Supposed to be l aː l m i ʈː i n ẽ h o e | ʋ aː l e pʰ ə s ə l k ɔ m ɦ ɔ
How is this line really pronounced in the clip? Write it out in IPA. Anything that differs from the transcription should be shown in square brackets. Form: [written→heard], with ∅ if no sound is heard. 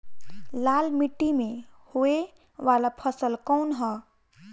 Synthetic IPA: l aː l m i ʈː i [n→m] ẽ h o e | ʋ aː l [e→a] pʰ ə s ə l k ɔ [m→n] ɦ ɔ

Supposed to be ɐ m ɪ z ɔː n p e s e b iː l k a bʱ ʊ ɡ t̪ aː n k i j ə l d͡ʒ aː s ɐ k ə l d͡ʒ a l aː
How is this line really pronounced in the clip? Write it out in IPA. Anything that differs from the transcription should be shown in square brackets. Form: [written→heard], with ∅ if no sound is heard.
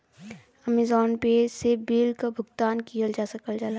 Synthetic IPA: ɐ m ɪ z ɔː n p e s e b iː l k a bʱ ʊ ɡ t̪ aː n k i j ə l d͡ʒ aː s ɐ k ə l d͡ʒ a l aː

